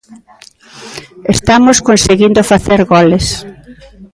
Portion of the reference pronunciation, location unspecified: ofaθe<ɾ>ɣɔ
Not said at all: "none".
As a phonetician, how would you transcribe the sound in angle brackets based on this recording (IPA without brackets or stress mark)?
ɾ